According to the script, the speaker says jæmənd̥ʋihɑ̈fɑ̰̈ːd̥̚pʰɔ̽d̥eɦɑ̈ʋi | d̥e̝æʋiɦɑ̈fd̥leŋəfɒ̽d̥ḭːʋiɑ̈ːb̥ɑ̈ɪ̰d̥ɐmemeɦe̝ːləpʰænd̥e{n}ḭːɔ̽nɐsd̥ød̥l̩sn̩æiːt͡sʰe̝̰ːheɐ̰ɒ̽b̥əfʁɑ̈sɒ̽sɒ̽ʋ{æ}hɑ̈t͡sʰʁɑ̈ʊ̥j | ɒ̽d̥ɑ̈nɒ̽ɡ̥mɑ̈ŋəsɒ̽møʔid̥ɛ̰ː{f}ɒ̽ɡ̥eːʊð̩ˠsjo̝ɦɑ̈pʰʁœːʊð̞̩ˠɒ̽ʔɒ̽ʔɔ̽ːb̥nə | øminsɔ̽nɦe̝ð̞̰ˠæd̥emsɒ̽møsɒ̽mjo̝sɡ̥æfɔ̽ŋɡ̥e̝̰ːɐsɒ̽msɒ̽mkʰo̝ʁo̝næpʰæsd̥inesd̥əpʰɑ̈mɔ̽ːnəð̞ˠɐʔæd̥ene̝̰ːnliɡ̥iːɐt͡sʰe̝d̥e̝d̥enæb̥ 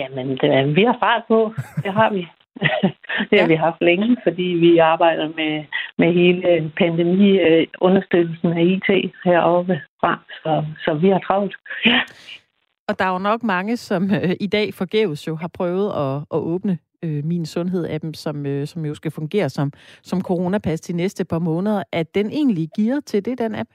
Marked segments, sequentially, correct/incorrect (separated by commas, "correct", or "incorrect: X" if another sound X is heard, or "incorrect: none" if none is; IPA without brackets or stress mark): incorrect: m, incorrect: i, correct